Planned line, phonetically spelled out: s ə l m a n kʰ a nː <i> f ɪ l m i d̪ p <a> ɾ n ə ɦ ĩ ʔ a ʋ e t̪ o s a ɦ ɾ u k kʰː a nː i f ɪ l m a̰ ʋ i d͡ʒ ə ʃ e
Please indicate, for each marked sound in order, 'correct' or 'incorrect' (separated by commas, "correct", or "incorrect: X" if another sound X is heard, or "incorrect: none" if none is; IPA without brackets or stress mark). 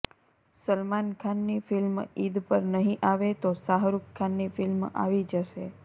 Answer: correct, incorrect: ə